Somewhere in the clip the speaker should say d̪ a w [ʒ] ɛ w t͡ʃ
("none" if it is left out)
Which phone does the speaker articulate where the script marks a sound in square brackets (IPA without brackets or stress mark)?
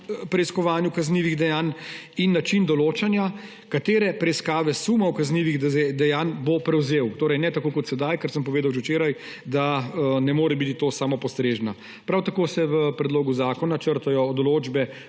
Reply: ʒ